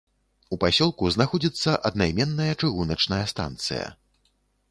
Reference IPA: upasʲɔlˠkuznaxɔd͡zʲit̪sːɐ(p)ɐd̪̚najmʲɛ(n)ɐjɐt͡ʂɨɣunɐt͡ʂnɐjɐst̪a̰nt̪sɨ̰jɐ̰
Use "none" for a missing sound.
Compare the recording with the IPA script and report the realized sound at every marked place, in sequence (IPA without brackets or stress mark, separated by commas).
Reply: ʔ, nː